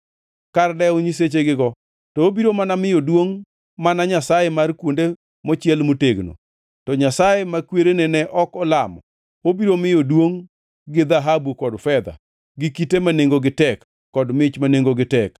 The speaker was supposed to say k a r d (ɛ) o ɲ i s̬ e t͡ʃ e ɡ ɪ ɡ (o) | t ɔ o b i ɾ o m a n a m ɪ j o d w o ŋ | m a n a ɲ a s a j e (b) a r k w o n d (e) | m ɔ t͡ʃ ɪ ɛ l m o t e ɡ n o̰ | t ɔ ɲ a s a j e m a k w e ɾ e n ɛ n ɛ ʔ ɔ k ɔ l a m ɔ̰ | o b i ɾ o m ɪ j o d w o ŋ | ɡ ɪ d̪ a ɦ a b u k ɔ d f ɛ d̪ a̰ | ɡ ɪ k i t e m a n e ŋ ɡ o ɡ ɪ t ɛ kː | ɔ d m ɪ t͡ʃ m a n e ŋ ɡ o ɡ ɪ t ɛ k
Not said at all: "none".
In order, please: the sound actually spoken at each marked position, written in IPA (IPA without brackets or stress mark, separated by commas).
ɛ, ɔ, m, e